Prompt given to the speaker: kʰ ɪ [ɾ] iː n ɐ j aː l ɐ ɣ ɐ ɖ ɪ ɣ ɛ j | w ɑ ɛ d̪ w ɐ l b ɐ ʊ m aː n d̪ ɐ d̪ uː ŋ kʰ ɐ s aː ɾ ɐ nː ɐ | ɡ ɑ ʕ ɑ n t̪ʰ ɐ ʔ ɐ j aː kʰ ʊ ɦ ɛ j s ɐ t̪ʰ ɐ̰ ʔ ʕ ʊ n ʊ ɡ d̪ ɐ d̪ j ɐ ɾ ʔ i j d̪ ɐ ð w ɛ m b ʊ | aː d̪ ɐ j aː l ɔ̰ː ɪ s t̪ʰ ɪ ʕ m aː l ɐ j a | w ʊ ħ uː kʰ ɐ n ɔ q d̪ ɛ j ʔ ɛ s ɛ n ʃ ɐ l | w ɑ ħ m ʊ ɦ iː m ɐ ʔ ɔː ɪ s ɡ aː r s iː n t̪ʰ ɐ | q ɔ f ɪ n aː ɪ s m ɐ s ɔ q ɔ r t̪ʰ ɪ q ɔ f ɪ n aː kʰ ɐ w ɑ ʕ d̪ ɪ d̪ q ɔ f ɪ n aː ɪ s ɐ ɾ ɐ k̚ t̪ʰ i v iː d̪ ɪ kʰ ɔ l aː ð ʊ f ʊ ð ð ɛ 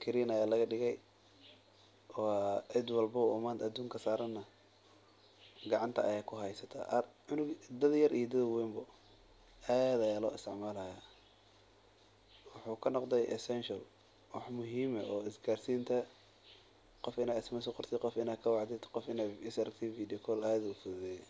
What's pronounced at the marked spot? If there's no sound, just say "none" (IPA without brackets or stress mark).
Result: ɾ